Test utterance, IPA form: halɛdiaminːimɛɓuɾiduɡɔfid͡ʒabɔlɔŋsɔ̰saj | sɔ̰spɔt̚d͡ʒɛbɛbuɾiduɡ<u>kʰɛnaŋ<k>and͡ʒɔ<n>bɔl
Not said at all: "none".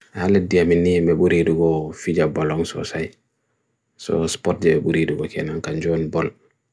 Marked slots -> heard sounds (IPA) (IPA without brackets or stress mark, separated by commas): ɔ, k, n